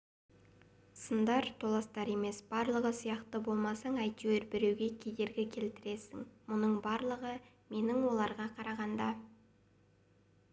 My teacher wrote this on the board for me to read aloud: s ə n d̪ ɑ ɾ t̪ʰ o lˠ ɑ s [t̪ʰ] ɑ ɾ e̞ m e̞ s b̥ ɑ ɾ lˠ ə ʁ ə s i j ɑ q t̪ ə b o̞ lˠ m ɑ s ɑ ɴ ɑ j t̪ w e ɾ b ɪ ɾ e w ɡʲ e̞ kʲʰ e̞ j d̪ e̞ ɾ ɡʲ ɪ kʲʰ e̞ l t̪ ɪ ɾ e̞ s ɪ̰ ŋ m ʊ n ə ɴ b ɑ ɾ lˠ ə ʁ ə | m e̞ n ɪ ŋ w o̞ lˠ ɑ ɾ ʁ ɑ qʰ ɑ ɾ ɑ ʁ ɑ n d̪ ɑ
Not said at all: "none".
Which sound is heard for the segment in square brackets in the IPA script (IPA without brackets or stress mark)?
t̪